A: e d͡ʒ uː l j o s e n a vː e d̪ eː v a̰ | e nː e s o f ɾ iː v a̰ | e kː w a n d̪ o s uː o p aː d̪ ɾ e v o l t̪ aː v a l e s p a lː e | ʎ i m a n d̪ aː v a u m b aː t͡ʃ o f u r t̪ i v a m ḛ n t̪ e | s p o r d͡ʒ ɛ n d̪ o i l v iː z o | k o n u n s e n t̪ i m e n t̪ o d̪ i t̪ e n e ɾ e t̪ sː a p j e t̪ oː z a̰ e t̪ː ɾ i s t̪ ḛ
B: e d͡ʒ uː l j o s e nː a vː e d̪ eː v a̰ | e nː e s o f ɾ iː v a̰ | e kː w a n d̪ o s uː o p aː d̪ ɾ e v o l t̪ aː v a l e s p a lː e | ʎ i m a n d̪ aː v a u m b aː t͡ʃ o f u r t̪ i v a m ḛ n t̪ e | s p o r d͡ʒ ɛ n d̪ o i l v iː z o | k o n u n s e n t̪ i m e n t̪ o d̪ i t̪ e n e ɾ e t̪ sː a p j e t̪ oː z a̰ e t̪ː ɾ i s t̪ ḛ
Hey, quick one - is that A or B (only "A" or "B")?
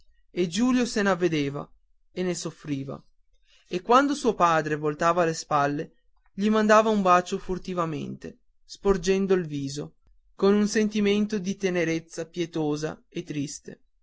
A